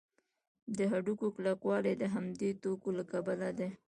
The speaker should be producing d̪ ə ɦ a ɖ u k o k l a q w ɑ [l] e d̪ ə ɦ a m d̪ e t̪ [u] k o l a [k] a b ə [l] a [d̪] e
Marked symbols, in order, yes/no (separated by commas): yes, no, yes, yes, yes